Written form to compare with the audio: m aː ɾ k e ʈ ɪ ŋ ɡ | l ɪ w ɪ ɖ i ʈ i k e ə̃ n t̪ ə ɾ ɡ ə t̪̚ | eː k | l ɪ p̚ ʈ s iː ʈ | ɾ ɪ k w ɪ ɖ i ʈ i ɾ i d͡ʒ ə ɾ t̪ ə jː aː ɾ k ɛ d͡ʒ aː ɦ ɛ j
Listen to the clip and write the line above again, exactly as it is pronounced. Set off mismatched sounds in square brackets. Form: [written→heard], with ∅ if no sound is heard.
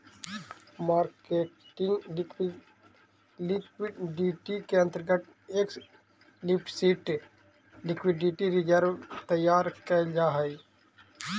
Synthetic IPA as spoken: m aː ɾ k e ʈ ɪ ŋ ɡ | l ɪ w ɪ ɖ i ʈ i k e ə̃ n t̪ ə ɾ ɡ ə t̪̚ | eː k | l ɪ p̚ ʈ s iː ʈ | [ɾ→l] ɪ k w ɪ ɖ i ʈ i ɾ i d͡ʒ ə ɾ t̪ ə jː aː ɾ k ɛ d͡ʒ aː ɦ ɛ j